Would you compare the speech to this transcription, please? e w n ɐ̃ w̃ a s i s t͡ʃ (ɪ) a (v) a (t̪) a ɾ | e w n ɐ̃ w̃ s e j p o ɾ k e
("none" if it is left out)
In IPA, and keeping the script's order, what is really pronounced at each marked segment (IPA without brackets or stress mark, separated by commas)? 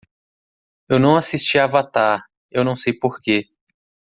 i, v, t̪